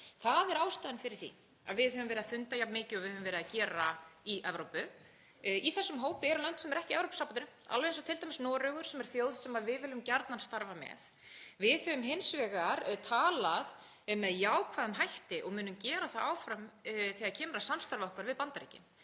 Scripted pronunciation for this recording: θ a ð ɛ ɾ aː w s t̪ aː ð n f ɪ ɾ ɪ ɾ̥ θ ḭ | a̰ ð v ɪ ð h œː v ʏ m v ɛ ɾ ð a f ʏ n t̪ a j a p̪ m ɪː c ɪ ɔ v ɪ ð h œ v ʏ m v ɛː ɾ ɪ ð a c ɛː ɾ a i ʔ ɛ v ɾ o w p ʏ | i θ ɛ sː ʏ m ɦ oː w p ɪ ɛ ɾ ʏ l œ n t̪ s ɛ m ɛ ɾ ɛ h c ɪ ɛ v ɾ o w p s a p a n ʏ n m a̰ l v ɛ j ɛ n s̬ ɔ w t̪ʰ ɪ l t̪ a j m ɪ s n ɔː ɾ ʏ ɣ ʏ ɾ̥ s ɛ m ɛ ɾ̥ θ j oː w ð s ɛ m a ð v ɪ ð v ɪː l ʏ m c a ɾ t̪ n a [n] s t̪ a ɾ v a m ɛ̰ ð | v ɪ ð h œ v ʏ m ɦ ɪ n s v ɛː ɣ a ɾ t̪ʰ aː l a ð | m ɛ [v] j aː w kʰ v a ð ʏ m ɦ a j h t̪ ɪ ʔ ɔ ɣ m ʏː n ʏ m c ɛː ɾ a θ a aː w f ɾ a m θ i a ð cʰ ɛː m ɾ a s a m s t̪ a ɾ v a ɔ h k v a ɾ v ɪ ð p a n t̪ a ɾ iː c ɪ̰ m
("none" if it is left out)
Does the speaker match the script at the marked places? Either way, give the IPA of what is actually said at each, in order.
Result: n, ð

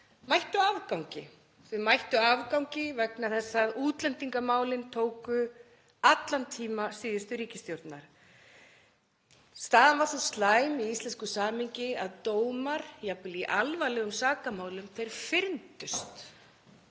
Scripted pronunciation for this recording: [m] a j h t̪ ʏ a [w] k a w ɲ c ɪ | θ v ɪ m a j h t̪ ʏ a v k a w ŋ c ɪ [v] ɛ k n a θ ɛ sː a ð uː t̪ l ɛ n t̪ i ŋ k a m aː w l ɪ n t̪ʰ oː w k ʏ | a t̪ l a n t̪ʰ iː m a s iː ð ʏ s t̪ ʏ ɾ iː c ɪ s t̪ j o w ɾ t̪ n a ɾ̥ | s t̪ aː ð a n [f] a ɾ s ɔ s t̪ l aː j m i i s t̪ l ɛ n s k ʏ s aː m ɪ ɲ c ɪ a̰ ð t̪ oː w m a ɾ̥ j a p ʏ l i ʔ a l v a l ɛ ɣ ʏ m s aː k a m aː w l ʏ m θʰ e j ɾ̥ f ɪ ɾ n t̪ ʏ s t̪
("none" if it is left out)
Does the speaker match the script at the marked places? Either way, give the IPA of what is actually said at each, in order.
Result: m, v, v, v

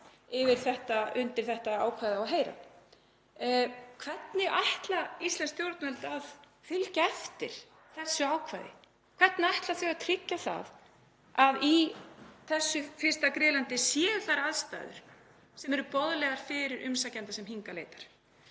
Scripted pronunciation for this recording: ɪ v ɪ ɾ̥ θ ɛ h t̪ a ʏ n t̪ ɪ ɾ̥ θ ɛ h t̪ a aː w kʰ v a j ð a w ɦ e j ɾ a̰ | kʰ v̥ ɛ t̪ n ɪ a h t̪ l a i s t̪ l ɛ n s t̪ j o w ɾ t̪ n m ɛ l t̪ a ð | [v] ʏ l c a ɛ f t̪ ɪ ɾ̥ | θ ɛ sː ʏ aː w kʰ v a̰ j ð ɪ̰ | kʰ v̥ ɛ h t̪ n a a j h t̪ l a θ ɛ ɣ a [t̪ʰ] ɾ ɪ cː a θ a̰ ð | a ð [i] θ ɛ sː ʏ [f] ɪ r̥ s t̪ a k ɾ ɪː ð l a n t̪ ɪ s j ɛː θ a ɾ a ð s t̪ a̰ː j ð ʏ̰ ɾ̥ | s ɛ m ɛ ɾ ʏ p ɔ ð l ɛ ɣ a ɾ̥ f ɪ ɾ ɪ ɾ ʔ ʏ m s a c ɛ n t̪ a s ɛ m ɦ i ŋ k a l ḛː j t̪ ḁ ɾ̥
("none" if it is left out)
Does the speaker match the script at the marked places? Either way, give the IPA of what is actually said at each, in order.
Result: f, t̪ʰ, i, f

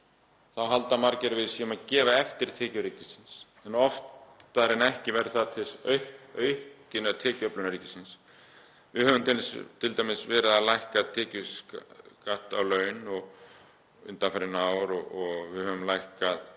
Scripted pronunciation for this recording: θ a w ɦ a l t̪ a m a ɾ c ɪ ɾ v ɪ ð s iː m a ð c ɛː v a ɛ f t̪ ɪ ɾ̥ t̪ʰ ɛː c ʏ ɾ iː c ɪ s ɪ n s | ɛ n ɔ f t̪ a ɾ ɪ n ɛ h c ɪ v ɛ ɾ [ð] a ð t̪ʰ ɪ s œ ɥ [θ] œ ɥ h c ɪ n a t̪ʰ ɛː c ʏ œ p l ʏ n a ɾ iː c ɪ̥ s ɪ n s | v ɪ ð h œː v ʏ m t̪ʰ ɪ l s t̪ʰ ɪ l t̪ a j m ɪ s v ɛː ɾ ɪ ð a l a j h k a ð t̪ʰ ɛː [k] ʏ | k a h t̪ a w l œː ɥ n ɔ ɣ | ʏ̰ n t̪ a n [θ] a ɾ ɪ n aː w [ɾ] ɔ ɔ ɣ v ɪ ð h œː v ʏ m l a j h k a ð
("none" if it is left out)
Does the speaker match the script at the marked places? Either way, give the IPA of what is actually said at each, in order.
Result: θ, h, c, f, ɾ

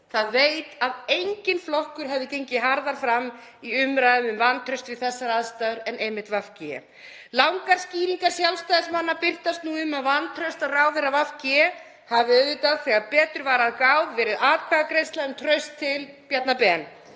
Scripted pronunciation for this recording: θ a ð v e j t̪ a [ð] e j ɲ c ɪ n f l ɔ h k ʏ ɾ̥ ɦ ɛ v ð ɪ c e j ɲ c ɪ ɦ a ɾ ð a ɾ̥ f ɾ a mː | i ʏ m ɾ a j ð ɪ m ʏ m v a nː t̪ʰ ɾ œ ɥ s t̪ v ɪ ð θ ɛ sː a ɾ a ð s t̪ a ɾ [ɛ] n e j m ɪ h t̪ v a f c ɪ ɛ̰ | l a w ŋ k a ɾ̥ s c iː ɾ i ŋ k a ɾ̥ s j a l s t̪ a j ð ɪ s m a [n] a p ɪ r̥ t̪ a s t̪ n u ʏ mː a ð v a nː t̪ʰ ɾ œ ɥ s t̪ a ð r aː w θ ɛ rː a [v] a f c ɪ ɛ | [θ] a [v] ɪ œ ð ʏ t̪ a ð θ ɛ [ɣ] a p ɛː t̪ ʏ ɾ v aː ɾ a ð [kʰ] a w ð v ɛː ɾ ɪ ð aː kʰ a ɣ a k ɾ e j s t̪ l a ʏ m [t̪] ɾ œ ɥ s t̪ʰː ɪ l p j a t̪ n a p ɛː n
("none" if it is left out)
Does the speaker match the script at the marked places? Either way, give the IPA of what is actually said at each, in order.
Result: ð, ɛ, nː, v, h, v, ɣ, k, t̪ʰ

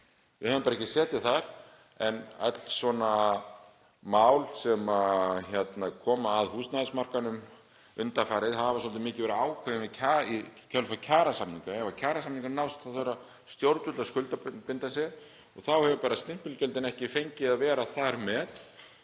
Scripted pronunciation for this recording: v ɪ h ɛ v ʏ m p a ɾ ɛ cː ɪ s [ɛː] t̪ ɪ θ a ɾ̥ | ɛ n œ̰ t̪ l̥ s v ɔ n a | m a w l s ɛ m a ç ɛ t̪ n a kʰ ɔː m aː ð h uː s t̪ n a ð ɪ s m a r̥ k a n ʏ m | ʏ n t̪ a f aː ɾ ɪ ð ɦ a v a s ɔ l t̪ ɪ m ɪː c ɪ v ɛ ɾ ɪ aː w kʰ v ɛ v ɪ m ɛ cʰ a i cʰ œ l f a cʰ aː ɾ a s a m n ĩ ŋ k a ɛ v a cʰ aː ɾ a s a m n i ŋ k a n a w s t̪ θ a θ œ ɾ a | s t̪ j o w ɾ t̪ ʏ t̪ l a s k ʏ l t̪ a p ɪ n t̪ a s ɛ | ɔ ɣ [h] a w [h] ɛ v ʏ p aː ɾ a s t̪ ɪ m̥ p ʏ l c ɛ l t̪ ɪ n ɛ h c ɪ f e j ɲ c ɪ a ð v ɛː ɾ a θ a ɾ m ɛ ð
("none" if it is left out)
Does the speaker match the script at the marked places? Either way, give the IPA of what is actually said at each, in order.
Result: ɛː, θ, h

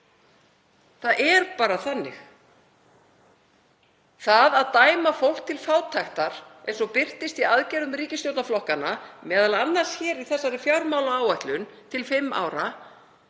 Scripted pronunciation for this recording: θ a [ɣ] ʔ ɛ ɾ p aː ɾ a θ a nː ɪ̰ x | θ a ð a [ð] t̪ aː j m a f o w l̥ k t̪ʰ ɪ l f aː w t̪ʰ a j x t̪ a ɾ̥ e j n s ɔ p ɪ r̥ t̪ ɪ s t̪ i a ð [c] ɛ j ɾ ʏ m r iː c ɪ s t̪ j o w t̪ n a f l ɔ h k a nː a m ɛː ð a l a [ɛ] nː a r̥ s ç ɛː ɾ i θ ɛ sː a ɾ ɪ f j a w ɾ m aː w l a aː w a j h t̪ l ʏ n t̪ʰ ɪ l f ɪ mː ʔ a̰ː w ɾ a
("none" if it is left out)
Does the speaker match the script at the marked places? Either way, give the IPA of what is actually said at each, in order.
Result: ð, ð, c, a

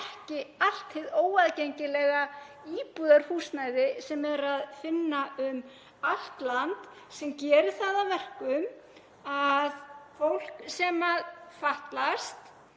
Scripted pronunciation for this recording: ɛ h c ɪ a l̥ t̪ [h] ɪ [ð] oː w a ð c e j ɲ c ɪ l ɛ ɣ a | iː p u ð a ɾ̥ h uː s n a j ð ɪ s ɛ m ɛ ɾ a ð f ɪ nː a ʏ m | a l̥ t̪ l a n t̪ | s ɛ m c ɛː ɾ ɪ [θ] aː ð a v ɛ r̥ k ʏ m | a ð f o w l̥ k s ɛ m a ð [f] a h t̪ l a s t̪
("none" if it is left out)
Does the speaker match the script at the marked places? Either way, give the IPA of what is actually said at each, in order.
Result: h, ð, θ, f

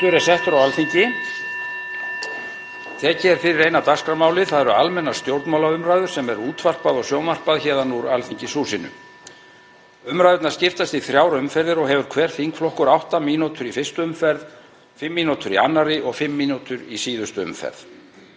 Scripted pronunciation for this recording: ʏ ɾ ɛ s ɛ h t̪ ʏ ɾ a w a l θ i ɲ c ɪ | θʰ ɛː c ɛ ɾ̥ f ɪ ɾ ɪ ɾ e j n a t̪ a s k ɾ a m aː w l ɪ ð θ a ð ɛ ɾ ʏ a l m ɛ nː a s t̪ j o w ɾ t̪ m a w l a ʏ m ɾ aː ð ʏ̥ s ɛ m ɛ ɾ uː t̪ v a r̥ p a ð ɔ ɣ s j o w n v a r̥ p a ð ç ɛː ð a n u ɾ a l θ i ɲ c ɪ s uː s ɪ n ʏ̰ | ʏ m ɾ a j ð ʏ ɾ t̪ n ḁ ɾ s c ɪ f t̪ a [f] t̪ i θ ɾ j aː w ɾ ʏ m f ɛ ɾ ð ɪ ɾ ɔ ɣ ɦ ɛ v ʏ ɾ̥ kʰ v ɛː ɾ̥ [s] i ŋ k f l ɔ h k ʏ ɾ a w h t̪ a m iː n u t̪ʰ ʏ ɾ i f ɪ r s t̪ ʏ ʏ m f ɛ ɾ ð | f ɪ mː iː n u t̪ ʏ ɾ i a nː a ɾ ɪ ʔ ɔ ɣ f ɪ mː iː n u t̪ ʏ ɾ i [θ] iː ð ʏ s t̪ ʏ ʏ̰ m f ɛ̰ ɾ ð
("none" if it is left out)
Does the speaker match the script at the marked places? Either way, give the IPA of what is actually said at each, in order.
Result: s, θ, s

